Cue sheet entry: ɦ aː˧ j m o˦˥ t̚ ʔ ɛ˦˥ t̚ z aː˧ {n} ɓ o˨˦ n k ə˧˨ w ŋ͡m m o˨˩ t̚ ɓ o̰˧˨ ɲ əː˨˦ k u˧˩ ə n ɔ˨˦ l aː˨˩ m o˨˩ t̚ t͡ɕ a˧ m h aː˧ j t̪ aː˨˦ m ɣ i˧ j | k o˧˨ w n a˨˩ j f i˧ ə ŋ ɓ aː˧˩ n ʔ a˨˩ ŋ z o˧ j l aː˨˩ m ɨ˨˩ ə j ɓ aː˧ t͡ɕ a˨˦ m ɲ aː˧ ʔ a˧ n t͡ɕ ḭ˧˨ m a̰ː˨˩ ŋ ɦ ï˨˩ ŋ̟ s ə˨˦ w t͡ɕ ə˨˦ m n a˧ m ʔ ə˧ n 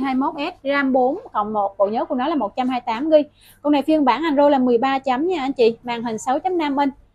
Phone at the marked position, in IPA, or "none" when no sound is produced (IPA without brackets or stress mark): m